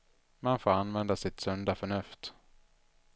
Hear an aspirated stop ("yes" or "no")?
no